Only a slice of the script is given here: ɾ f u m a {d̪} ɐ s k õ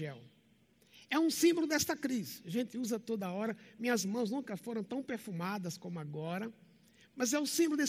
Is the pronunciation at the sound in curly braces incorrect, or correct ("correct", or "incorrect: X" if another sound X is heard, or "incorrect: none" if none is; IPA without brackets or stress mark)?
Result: correct